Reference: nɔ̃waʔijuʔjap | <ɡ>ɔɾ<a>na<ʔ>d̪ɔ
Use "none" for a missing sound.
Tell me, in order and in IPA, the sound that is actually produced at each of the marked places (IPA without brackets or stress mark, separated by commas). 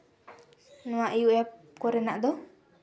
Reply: k, ɛ, ʔ